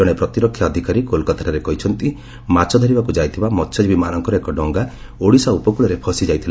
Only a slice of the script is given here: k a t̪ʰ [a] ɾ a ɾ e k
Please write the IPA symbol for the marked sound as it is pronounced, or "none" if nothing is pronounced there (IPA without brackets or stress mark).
a